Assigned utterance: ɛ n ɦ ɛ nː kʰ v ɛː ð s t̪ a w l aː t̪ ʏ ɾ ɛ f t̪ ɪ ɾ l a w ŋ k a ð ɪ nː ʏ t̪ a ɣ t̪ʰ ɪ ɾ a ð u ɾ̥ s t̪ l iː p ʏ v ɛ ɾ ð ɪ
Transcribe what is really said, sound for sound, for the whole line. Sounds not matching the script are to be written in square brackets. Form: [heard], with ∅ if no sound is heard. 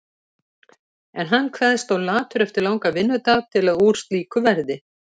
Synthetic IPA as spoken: ɛ n ɦ [a] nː kʰ v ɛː ð s t̪ a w l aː t̪ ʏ ɾ ɛ f t̪ ɪ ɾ l a w ŋ k a [v] ɪ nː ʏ t̪ a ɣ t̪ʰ ɪ [l] a ð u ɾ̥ s t̪ l iː [k] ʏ v ɛ ɾ ð ɪ